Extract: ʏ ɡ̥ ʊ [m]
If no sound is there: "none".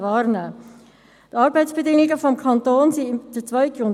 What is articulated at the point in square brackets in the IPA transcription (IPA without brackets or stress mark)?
n